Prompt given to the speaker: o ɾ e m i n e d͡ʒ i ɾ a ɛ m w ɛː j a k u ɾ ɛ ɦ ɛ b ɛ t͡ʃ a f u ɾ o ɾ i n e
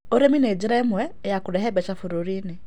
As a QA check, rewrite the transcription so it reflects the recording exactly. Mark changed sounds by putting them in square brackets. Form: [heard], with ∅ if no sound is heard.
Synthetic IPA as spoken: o ɾ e m i n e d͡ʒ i ɾ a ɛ m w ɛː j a k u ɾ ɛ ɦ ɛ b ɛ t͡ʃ a f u ɾ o ɾ i n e